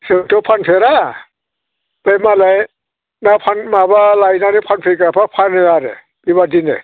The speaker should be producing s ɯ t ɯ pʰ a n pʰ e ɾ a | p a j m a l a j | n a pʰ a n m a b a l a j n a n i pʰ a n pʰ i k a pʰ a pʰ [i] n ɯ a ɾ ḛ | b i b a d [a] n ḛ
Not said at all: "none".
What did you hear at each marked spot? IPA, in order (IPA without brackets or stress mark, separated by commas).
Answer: a, i